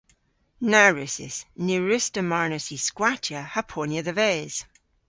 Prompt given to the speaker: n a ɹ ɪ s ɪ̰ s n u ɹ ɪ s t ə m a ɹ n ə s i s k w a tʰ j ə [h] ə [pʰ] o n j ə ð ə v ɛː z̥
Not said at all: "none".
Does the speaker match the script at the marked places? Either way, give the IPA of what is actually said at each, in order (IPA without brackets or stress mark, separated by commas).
h, pʰ